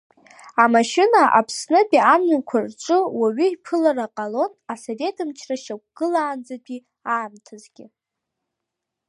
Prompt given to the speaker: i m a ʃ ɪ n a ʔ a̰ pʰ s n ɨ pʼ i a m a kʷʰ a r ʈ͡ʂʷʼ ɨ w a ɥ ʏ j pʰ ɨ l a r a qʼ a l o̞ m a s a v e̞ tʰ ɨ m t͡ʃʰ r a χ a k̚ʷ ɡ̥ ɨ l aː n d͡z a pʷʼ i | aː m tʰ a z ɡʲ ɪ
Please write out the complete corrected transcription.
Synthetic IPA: a m a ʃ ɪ n a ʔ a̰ pʰ s n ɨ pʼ i a m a kʷʰ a r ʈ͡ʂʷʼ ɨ w a ɥ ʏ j pʰ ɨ l a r a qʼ a l o̞ n a s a v e̞ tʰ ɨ m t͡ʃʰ r a ʃ a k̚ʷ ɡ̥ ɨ l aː n d͡z a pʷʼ i | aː m tʰ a z ɡʲ ɪ